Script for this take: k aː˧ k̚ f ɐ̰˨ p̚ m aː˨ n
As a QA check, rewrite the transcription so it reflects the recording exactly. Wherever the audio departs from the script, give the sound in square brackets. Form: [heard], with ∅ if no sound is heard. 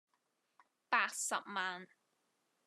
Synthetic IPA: [p] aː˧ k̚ [s] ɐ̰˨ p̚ m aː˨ n